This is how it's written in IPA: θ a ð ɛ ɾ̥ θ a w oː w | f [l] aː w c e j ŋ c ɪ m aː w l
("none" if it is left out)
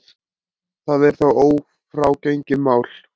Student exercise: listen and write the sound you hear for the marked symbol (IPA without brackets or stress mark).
ɾ